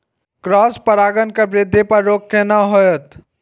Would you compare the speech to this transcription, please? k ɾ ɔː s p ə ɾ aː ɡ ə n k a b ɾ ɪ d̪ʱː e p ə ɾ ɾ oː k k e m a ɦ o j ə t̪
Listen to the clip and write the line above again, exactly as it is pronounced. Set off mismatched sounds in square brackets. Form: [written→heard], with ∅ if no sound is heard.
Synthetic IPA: k ɾ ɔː s p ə ɾ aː ɡ ə n k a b ɾ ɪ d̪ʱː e p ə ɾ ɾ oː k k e [m→n] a ɦ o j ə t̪